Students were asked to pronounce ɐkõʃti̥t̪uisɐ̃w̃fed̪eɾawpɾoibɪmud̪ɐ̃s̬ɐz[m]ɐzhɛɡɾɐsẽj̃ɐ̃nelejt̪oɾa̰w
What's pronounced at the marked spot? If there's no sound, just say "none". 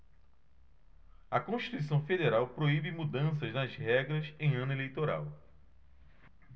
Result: n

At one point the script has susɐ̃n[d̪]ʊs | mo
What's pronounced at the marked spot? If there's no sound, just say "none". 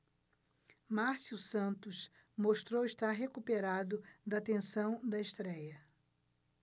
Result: t̪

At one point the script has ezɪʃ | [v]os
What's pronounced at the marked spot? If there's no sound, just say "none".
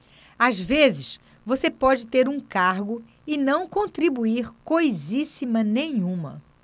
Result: v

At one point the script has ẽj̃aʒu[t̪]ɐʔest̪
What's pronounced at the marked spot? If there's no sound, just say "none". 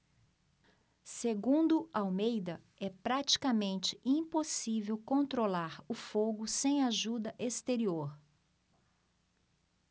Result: d̪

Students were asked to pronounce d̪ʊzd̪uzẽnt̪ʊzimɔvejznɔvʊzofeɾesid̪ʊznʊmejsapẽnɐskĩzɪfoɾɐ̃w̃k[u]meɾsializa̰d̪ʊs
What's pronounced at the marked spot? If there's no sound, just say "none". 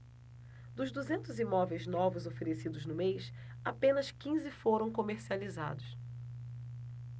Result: o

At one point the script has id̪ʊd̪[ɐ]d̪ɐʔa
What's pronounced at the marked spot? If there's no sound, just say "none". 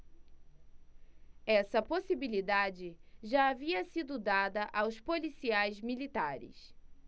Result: a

